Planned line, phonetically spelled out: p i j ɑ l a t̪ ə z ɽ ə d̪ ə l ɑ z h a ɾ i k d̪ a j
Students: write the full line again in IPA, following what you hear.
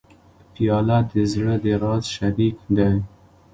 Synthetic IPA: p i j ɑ l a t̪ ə z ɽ ə d̪ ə ɾ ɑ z ʃ a ɾ i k d̪ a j